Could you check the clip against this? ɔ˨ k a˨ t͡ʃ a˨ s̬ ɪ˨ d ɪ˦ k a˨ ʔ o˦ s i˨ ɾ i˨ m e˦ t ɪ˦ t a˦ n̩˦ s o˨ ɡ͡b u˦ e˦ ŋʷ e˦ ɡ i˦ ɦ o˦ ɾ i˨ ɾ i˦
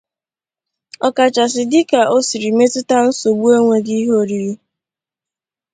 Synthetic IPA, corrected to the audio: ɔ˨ k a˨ t͡ʃ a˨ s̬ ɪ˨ d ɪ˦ k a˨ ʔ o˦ s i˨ ɾ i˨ m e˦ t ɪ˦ t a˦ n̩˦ s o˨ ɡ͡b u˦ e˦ ŋʷ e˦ ɡ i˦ ɦ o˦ ɾ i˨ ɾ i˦